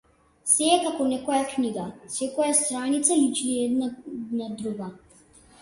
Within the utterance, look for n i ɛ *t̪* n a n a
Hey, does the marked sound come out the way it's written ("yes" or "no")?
no